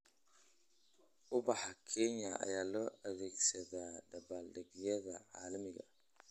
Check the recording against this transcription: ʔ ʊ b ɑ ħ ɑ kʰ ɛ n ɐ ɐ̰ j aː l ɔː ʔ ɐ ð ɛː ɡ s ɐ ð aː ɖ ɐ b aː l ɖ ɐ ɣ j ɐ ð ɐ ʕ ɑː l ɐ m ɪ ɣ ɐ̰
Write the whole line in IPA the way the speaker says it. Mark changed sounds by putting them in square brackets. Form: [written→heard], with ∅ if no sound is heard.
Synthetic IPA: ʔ ʊ b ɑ ħ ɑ kʰ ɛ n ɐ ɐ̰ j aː l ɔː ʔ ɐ ð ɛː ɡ s ɐ ð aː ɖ ɐ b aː l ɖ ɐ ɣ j ɐ ð ɐ ʕ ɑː l ɐ m ɪ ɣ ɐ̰